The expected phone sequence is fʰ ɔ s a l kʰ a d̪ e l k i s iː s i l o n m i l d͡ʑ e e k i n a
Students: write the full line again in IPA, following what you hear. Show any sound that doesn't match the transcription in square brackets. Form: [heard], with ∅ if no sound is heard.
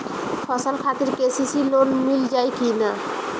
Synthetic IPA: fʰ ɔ s a l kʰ a [t̪] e [ɾ] k [e] s [i] s i l o n m i l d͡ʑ [a] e k i n a